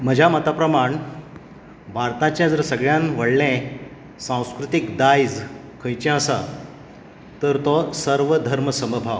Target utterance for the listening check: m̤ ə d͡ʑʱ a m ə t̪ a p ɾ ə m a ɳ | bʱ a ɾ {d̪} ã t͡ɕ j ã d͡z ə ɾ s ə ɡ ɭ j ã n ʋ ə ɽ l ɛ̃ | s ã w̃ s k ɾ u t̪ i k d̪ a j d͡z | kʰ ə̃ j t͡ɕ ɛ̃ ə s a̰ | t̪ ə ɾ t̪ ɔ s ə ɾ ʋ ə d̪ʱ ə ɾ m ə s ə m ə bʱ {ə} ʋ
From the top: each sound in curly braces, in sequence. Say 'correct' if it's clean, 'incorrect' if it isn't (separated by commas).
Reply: incorrect, incorrect